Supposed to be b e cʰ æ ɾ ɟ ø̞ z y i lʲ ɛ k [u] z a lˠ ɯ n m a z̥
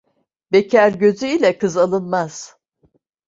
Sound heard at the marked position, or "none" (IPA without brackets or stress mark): ɯ